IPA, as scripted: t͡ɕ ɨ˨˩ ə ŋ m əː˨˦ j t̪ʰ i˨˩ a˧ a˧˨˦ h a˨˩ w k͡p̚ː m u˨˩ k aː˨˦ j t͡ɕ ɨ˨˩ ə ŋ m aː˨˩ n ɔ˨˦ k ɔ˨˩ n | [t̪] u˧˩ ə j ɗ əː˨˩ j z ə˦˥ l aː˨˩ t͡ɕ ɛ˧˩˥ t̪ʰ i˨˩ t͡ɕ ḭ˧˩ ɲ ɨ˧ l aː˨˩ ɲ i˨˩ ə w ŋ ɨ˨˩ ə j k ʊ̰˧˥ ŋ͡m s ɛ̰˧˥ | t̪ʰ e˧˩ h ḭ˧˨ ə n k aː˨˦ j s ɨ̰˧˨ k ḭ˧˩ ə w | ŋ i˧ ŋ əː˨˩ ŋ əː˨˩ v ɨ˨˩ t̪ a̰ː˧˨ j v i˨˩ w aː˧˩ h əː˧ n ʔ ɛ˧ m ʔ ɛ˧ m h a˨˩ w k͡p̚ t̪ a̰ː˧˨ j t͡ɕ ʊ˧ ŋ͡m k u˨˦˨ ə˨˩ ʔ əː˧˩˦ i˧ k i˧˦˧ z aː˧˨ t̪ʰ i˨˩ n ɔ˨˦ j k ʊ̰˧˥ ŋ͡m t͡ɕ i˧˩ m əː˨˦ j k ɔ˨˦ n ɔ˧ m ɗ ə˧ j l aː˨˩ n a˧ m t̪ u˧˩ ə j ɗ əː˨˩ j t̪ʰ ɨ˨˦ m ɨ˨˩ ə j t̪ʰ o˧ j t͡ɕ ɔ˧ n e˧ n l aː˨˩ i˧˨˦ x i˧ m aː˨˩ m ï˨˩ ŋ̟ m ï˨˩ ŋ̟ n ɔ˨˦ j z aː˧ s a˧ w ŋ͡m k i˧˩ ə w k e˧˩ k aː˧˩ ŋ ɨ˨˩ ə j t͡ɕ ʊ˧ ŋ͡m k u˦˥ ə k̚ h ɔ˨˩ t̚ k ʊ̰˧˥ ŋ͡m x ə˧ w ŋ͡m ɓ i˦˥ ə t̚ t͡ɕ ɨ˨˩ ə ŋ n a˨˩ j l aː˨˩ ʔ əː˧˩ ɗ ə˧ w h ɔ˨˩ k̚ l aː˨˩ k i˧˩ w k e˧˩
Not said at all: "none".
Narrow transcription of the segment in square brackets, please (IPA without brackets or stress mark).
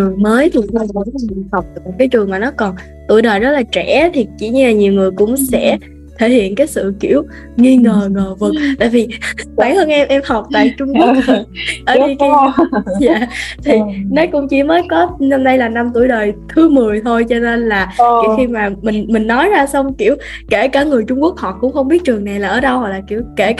t̪